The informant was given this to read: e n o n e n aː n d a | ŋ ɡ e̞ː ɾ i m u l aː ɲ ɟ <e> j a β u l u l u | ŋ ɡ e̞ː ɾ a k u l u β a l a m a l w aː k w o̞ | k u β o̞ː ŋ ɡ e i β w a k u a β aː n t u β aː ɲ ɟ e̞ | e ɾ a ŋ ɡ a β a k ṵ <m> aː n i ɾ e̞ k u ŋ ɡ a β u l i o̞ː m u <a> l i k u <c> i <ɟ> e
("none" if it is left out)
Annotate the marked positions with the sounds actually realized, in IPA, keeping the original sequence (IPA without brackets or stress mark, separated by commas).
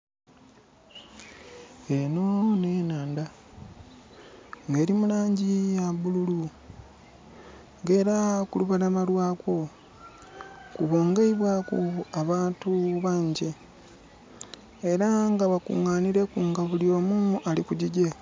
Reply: i, ŋ, a, ɟ, ɟ